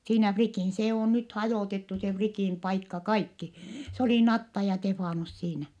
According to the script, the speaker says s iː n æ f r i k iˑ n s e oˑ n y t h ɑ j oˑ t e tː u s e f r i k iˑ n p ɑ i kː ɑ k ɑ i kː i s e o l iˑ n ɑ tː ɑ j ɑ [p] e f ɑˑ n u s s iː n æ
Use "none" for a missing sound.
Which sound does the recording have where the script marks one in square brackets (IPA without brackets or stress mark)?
t